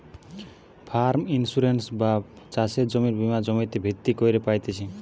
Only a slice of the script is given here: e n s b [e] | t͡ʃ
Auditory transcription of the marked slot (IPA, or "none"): a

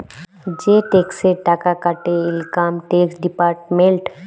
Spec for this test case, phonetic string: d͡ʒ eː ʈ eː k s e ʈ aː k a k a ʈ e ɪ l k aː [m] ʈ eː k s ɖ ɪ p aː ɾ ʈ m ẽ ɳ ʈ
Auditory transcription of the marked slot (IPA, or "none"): m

